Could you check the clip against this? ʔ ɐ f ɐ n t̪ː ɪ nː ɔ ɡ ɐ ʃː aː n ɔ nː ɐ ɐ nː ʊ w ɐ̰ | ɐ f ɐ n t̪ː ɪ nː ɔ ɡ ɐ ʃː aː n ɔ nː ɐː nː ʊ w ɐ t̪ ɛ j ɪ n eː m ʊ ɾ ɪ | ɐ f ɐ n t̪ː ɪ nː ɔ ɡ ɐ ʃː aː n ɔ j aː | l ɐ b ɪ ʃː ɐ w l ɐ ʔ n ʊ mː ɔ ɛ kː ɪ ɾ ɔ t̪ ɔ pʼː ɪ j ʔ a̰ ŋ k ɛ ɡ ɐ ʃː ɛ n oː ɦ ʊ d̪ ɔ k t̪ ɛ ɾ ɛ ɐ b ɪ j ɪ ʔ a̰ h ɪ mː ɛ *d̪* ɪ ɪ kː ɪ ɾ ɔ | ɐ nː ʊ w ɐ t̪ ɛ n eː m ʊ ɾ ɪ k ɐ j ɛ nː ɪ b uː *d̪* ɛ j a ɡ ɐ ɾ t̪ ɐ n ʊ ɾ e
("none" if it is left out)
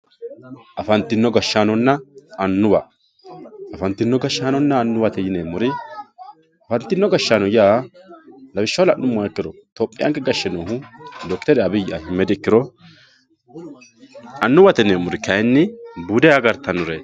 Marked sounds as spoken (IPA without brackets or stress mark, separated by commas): d̪, d̪